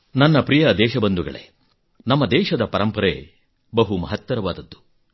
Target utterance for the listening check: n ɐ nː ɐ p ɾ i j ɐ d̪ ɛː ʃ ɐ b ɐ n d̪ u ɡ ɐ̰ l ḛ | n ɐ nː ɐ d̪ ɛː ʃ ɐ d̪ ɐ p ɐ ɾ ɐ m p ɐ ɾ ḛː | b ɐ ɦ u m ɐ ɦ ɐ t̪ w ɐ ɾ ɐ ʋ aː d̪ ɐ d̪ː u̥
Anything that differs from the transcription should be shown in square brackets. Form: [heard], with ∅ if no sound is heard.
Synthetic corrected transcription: n ɐ nː ɐ p ɾ i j ɐ d̪ ɛː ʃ ɐ b ɐ n d̪ u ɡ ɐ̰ [ɭ] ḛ | n ɐ [mː] ɐ d̪ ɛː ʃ ɐ d̪ ɐ p ɐ ɾ ɐ m p ɐ ɾ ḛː | b ɐ ɦ u m ɐ ɦ ɐ t̪ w ɐ ɾ ɐ ʋ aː d̪ ɐ d̪ː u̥